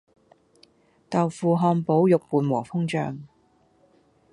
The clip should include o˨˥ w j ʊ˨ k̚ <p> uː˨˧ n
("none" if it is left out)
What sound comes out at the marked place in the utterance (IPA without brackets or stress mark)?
p